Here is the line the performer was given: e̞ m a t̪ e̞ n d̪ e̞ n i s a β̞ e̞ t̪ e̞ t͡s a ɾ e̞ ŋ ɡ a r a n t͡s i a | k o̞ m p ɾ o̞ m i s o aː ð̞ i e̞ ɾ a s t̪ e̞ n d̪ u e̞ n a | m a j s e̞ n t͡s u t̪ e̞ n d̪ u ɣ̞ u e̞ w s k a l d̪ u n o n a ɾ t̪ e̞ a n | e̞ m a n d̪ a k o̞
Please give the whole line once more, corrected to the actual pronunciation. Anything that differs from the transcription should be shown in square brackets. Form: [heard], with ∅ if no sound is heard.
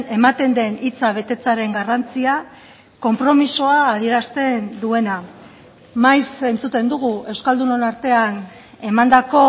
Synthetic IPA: e̞ m a t̪ e̞ n d̪ e̞ n i [t͡s] a β̞ e̞ t̪ e̞ t͡s a ɾ e̞ ŋ ɡ a r a n t͡s i a | k o̞ m p ɾ o̞ m i s o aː ð̞ i e̞ ɾ a s t̪ e̞ n d̪ u e̞ n a | m a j s e̞ n t͡s u t̪ e̞ n d̪ u ɣ̞ u e̞ w s k a l d̪ u n o n a ɾ t̪ e̞ a n | e̞ m a n d̪ a k o̞